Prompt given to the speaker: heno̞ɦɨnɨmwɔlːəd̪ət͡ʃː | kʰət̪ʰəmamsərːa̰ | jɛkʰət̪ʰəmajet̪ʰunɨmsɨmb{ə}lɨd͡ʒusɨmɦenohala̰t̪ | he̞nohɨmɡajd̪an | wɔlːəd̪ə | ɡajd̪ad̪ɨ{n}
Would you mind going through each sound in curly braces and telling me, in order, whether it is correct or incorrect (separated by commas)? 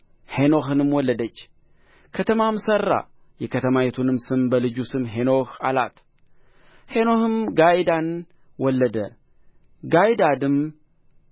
correct, incorrect